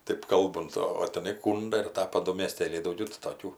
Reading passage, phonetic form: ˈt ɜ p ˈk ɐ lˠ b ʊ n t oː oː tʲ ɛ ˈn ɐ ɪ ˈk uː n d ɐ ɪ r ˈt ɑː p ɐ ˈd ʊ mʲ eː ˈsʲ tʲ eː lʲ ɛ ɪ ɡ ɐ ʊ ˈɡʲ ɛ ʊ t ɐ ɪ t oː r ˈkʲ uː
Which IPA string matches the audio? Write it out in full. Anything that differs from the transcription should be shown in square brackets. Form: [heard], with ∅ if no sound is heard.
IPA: ˈt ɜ p ˈk ɐ lˠ b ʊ n t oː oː tʲ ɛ ˈn ɐ ɪ ˈk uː n d ɐ ɪ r ˈt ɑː p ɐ ˈd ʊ mʲ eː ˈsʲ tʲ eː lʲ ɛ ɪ [d] ɐ ʊ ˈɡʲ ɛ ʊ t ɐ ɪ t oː [∅] ˈkʲ uː

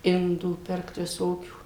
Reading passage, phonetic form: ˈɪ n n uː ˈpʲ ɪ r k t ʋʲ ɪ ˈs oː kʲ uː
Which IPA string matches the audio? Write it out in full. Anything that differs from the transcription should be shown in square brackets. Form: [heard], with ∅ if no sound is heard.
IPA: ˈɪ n [d] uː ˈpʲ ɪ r k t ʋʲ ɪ ˈs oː kʲ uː

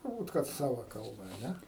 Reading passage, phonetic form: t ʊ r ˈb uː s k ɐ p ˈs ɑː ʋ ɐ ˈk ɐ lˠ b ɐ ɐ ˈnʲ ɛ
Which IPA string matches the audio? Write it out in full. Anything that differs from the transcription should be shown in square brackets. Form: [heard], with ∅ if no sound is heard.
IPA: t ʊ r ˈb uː [t] k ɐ [t] ˈs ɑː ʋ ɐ ˈk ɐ lˠ b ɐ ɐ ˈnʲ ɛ

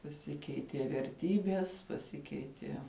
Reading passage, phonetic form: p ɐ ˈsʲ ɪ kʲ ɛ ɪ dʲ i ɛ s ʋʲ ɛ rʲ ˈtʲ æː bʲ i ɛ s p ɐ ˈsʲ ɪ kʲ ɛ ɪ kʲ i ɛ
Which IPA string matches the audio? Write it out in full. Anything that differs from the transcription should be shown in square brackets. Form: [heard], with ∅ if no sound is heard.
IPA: p ɐ ˈsʲ ɪ kʲ ɛ ɪ [tʲ] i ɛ [∅] ʋʲ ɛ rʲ ˈtʲ [iː] bʲ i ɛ s p ɐ ˈsʲ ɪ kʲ ɛ ɪ [tʲ] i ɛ

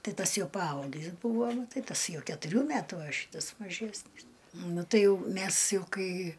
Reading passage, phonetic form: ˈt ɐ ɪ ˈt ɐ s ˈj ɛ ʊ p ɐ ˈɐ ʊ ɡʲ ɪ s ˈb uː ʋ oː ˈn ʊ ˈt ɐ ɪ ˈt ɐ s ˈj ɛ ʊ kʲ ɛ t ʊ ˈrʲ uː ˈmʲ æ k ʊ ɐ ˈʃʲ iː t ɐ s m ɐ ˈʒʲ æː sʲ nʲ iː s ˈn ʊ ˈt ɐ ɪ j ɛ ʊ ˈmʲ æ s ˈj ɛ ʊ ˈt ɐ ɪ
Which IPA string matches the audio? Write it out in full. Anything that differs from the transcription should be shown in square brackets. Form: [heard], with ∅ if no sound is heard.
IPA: ˈt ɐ ɪ ˈt ɐ s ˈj ɛ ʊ p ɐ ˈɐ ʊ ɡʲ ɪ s ˈb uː ʋ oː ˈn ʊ ˈt ɐ ɪ ˈt ɐ s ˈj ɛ ʊ kʲ ɛ t ʊ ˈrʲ uː ˈmʲ æ [t] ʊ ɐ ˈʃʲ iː t ɐ s m ɐ ˈʒʲ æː sʲ nʲ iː s ˈn ʊ ˈt ɐ ɪ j ɛ ʊ ˈmʲ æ s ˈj ɛ ʊ [ˈk] ɐ ɪ

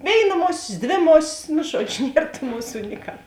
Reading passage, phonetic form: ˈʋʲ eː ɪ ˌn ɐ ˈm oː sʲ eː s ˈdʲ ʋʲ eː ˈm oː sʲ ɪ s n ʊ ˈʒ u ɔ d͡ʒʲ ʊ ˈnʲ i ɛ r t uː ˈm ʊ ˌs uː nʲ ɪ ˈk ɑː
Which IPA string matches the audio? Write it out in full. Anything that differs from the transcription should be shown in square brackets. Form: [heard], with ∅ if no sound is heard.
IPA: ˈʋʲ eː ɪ ˌn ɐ ˈm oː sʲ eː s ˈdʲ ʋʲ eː ˈm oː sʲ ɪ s n ʊ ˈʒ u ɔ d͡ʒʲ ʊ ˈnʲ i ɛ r t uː ˈm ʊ ˌs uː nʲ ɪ ˈk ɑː

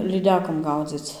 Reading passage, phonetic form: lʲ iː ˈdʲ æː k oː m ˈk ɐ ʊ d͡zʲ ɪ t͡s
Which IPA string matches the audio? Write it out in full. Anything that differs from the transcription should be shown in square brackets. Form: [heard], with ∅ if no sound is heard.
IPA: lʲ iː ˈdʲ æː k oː m [ˈɡ] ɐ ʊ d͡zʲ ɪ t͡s

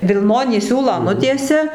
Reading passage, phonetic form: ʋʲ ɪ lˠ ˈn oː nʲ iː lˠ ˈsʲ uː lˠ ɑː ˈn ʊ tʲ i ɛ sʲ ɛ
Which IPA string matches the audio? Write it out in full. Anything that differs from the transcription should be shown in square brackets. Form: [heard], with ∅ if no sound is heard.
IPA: ʋʲ ɪ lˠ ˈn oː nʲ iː [∅] ˈsʲ uː lˠ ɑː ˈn ʊ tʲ i ɛ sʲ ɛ

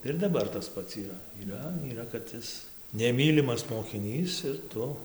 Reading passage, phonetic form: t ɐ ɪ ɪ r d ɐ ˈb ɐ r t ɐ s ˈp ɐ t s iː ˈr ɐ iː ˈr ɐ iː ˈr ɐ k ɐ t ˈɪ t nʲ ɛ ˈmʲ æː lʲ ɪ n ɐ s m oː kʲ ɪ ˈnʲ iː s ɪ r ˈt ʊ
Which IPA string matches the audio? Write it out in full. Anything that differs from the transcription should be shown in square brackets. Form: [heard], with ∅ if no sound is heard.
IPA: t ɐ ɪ ɪ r d ɐ ˈb ɐ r t ɐ s ˈp ɐ t s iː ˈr ɐ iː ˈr ɐ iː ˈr ɐ k ɐ t ˈɪ [s] nʲ ɛ ˈmʲ [iː] lʲ ɪ [m] ɐ s m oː kʲ ɪ ˈnʲ iː s ɪ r ˈt ʊ

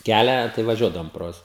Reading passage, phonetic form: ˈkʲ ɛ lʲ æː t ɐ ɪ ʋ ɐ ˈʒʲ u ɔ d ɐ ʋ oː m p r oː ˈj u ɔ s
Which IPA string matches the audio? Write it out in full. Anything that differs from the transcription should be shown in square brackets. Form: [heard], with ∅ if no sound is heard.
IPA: ˈkʲ [æ] lʲ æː t ɐ ɪ ʋ ɐ ˈʒʲ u ɔ d ɐ ʋ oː m p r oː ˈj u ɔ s

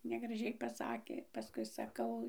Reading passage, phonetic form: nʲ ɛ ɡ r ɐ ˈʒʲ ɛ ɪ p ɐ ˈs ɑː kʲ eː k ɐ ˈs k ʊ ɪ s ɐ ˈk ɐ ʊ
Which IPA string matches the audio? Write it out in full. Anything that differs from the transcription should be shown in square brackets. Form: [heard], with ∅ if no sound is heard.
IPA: nʲ ɛ ɡ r ɐ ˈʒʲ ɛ ɪ p ɐ ˈs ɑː kʲ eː [p] ɐ ˈs k ʊ ɪ s ɐ ˈk ɐ ʊ

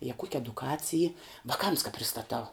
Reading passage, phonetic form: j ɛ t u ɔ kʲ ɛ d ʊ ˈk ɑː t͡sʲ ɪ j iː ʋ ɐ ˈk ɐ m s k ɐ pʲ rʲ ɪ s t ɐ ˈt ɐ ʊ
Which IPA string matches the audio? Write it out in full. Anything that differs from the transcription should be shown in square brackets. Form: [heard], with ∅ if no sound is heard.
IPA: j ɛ [k] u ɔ kʲ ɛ d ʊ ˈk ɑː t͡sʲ ɪ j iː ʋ ɐ ˈk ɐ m s k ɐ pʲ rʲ ɪ s t ɐ ˈt ɐ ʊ

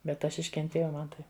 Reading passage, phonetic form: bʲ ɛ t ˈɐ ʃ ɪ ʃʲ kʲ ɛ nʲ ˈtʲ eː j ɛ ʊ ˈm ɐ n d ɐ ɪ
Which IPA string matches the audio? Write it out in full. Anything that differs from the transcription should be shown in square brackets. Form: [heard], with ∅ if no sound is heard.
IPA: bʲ ɛ t ˈɐ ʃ ɪ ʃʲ kʲ ɛ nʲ ˈtʲ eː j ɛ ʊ ˈm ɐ n [t] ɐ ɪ

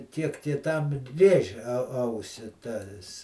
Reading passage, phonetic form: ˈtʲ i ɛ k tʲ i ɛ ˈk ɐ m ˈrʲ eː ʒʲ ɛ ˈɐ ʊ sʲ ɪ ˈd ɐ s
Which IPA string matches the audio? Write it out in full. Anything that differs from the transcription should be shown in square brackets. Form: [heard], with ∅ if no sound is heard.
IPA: ˈtʲ i ɛ k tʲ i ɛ [ˈt] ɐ m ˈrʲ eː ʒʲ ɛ ˈɐ ʊ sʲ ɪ [ˈt] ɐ s

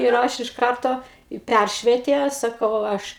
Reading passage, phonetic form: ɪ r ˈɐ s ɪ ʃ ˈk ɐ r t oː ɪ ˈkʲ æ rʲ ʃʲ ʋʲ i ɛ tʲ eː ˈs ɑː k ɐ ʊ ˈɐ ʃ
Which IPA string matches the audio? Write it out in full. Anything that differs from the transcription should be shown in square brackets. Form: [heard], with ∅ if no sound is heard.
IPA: ɪ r ˈɐ [ʃ] ɪ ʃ ˈk ɐ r t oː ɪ [ˈpʲ] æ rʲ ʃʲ ʋʲ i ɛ tʲ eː ˈs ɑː k ɐ ʊ ˈɐ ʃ

